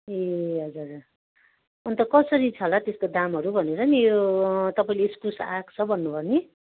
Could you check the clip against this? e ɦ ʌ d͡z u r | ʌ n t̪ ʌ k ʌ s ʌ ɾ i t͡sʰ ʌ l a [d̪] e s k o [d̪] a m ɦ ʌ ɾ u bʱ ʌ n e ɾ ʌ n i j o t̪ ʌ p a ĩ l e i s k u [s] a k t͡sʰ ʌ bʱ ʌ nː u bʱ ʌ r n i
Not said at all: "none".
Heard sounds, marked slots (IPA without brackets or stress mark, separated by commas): t̪, d̪, s